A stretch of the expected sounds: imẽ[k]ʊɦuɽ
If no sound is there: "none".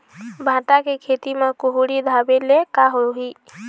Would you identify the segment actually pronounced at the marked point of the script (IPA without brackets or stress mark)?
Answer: k